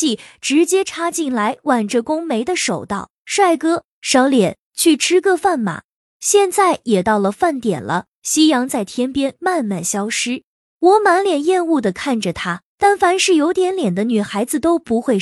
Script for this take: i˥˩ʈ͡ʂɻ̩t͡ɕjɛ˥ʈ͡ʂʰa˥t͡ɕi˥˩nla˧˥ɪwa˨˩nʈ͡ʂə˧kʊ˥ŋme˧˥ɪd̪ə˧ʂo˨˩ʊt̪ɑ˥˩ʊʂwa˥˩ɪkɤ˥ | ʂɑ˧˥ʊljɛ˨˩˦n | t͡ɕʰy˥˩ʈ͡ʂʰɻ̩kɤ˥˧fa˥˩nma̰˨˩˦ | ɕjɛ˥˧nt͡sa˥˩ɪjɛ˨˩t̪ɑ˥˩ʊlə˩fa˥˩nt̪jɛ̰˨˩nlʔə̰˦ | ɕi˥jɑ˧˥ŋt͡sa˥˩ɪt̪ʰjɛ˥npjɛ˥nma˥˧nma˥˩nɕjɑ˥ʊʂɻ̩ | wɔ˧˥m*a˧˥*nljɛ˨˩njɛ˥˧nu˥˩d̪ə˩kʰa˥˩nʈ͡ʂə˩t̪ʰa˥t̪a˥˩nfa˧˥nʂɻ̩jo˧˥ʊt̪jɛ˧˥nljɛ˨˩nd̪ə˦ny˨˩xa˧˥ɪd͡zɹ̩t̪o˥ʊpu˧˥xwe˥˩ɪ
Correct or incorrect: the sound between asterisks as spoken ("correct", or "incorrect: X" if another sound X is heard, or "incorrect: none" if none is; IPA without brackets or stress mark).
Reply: correct